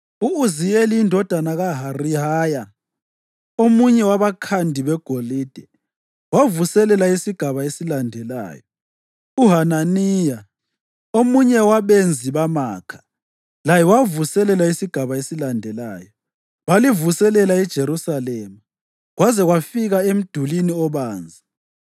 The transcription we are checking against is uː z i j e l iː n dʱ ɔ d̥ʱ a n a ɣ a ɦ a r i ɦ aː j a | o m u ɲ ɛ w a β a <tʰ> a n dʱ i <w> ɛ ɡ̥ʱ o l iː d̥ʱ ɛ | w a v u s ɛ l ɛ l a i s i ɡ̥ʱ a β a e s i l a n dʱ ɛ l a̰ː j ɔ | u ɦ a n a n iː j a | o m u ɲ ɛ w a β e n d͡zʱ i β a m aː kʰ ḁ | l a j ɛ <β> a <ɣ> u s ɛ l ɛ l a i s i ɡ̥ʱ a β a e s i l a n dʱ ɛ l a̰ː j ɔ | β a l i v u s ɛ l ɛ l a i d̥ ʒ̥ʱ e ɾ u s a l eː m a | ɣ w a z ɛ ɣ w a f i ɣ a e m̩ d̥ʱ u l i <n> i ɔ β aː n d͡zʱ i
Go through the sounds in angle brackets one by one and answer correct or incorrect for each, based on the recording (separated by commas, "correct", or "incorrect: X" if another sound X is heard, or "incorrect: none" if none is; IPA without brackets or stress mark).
incorrect: kʰ, incorrect: β, incorrect: w, incorrect: v, correct